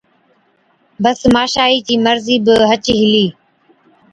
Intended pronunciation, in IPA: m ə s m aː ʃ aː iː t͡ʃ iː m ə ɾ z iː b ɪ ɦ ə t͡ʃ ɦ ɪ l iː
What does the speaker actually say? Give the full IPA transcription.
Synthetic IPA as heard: b ə s m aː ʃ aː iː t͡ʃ iː m ə ɾ z iː b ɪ ɦ ə t͡ʃ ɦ ɪ l iː